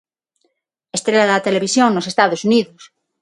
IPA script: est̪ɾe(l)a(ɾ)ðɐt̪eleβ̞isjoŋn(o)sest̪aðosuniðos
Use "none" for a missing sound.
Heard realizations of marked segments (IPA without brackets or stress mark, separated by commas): l, none, o